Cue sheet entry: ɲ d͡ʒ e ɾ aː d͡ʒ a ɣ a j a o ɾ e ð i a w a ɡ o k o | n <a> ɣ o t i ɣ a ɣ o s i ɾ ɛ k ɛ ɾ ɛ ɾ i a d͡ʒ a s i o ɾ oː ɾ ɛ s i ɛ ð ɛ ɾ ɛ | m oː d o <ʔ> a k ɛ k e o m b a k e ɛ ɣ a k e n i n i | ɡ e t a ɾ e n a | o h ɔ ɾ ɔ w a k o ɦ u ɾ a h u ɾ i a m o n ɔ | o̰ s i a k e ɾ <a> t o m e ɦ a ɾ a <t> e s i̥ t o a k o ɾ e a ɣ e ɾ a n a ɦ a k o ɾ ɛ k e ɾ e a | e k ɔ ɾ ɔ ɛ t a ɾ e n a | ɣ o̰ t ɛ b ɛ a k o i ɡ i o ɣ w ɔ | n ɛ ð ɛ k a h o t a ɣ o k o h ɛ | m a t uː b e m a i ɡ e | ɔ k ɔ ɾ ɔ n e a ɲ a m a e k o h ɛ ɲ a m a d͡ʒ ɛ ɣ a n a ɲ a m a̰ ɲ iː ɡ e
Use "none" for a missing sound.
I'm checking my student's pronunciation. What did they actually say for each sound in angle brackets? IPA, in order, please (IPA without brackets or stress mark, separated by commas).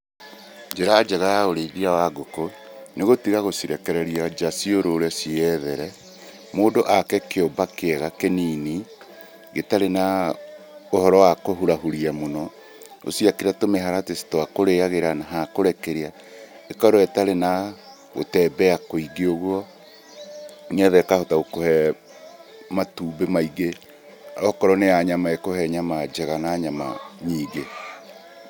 e, ʔ, a, t